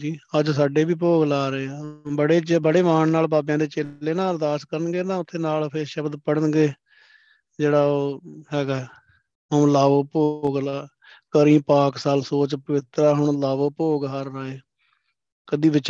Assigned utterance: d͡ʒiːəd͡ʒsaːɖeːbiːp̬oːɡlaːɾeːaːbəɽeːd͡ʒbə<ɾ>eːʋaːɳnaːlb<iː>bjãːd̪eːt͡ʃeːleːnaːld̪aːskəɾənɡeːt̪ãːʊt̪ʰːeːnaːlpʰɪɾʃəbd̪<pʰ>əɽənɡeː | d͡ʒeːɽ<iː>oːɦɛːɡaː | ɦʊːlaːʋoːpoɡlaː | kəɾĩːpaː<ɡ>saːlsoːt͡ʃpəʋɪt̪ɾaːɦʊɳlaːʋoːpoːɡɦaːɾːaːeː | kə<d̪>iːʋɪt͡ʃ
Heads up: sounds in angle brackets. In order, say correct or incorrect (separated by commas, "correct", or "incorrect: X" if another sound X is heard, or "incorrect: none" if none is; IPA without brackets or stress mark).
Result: incorrect: ɽ, incorrect: aː, incorrect: p, incorrect: aː, incorrect: k, correct